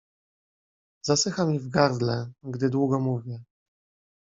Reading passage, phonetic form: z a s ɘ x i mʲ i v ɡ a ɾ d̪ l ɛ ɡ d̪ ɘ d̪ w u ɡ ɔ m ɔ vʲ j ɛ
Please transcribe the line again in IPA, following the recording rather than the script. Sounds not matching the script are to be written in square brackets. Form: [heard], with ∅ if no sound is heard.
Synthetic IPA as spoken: z a s ɘ x [a] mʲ i v ɡ a ɾ d̪ l ɛ ɡ d̪ ɘ d̪ w u ɡ ɔ m [u] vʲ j ɛ

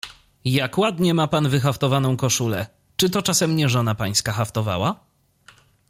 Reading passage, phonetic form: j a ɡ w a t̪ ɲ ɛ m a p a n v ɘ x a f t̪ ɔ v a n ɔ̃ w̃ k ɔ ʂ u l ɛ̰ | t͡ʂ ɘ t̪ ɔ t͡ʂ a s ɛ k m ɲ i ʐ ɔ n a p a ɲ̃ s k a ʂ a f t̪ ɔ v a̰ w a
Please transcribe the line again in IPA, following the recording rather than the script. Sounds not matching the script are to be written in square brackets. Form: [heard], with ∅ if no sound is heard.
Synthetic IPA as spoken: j a [k] w a [d̪] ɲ ɛ m a p a n v ɘ x a f t̪ ɔ v a n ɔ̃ w̃ k ɔ ʂ u l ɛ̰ | t͡ʂ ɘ t̪ ɔ t͡ʂ a s ɛ [∅] m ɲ [ɛ] ʐ ɔ n a p a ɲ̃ s k a [x] a f t̪ ɔ v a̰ w a

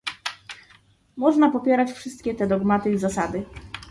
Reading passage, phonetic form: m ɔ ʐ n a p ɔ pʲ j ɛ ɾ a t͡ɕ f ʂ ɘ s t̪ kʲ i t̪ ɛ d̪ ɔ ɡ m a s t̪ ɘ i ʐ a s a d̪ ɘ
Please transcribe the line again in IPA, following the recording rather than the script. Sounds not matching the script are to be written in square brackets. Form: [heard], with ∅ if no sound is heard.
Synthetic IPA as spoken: m ɔ ʐ n a p ɔ pʲ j ɛ ɾ a t͡ɕ f ʂ ɘ s t̪ kʲ [ɛ] t̪ ɛ d̪ ɔ ɡ m a [∅] t̪ ɘ i [z] a s a d̪ ɘ

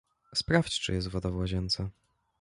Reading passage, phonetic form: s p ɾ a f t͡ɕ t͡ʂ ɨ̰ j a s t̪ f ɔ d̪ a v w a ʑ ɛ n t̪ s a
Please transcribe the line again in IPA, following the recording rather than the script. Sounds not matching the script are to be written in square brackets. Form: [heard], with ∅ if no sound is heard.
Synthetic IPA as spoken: s p ɾ a f t͡ɕ t͡ʂ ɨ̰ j [ɛ] s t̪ [v] ɔ d̪ a v w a ʑ ɛ n t̪ s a

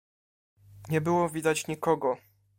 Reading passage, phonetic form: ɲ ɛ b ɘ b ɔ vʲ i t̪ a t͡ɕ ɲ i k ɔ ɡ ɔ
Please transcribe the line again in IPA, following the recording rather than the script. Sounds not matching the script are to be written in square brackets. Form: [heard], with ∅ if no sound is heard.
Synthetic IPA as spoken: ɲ ɛ b ɘ [w] ɔ vʲ i [d̪] a t͡ɕ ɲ i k ɔ ɡ ɔ

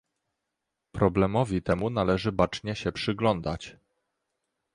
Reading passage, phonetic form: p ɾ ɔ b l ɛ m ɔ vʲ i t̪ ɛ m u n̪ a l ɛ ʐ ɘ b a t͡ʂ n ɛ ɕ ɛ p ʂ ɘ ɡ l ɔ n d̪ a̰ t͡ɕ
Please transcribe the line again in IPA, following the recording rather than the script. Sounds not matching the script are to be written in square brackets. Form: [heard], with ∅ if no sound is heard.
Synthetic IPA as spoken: p ɾ ɔ b l ɛ m ɔ vʲ i t̪ ɛ m u n̪ a l ɛ ʐ ɘ b a t͡ʂ [ɲ] ɛ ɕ ɛ p ʂ ɘ ɡ l ɔ n d̪ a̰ t͡ɕ

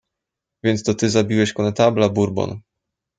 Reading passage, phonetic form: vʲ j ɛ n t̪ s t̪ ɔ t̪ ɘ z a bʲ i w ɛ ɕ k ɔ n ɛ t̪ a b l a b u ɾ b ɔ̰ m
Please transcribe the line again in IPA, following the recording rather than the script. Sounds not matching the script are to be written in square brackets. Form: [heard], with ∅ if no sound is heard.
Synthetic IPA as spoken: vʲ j ɛ n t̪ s t̪ ɔ t̪ ɘ z a bʲ i w ɛ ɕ k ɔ n ɛ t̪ a b l a b u ɾ b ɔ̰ [n]

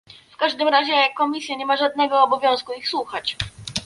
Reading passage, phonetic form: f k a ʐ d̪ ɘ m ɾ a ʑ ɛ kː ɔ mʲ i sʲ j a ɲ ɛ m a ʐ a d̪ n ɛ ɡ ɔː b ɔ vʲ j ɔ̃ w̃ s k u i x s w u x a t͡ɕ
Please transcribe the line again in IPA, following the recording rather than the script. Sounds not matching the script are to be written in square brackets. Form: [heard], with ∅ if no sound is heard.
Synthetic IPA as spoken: f k a ʐ d̪ ɘ m ɾ a ʑ ɛ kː ɔ mʲ i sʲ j a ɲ ɛ m a ʐ a d̪ n ɛ ɡ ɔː b ɔ vʲ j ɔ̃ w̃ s k u i x s w u x a t͡ɕ

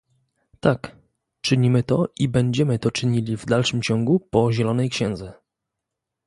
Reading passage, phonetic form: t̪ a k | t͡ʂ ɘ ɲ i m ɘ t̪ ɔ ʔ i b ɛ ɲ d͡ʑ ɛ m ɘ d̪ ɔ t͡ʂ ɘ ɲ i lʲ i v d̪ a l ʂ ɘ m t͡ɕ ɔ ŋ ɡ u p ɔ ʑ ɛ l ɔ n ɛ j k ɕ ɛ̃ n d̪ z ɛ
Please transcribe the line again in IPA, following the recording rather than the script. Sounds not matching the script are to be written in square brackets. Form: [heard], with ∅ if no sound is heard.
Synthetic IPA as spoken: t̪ a k | t͡ʂ ɘ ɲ i m ɘ t̪ ɔ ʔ i b ɛ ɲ d͡ʑ ɛ m ɘ [t̪] ɔ t͡ʂ ɘ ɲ i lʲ i v d̪ a l ʂ ɘ m t͡ɕ ɔ ŋ ɡ u p ɔ ʑ ɛ l ɔ n ɛ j k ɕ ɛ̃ n d̪ z ɛ

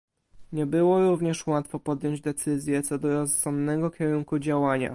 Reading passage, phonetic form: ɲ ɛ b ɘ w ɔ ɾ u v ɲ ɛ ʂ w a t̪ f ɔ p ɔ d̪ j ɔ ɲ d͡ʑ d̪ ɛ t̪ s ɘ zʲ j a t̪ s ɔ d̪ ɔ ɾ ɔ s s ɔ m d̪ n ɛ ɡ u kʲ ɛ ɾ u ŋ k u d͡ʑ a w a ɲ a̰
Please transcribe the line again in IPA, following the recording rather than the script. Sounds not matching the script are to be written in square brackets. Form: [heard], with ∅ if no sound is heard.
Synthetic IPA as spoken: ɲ ɛ b ɘ w ɔ ɾ u v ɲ ɛ ʂ w a t̪ f ɔ p ɔ d̪ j ɔ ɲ d͡ʑ d̪ ɛ t̪ s ɘ zʲ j [ɛ] t̪ s ɔ d̪ ɔ ɾ ɔ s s ɔ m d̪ n ɛ ɡ [ɔ] kʲ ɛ ɾ u ŋ k u d͡ʑ a w a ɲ a̰

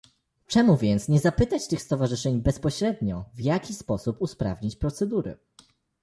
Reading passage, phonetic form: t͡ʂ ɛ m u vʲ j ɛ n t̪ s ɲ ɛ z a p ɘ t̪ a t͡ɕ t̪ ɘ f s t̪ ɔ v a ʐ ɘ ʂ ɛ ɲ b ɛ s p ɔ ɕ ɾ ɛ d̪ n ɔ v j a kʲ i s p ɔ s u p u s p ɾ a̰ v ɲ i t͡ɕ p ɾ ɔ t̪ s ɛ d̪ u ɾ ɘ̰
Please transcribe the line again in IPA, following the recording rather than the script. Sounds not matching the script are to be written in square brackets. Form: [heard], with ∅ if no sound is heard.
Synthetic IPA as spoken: t͡ʂ ɛ m u vʲ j ɛ n t̪ s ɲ ɛ z a p ɘ t̪ a t͡ɕ t̪ ɘ [x] s t̪ ɔ v a ʐ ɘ ʂ ɛ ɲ b ɛ s p ɔ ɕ ɾ ɛ d̪ [ɲ] ɔ v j a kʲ i s p ɔ s u p u s p ɾ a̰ v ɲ i t͡ɕ p ɾ ɔ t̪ s ɛ d̪ u ɾ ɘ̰

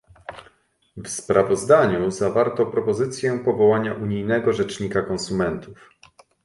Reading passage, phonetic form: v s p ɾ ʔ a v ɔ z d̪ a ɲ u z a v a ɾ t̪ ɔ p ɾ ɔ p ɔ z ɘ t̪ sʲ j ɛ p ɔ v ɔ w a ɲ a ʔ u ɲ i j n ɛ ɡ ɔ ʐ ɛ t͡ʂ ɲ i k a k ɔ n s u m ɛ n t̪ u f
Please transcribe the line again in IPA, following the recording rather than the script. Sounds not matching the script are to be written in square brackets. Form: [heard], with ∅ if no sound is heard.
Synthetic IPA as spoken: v s p ɾ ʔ a v ɔ z d̪ a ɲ u z a v a ɾ t̪ ɔ p ɾ ɔ p ɔ z ɘ t̪ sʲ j ɛ p ɔ v ɔ w a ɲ a ʔ u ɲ i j n ɛ ɡ ɔ ʐ ɛ t͡ʂ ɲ i k a k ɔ n s u m ɛ n t̪ u f

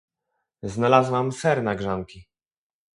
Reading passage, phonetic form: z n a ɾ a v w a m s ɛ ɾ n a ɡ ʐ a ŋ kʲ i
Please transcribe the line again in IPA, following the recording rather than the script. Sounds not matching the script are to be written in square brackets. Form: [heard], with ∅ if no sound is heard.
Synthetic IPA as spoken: z n a [l] a [z] w a m s ɛ ɾ n a ɡ ʐ a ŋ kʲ i

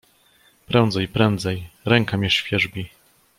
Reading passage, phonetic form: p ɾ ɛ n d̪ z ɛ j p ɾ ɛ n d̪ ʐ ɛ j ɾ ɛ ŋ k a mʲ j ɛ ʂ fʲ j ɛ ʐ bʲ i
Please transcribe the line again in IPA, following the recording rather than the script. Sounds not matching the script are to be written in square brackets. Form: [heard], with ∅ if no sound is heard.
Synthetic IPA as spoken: p ɾ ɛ n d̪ z ɛ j p ɾ ɛ n d̪ [z] ɛ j ɾ ɛ ŋ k a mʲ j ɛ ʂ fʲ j ɛ ʐ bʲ i

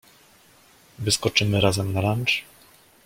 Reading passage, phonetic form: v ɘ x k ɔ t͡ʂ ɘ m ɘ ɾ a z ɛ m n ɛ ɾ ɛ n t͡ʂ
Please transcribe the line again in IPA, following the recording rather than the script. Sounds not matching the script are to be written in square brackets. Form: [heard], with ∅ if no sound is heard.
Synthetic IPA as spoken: v ɘ [s] k ɔ t͡ʂ ɘ m ɘ ɾ a z ɛ m n [a] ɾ [a] n t͡ʂ

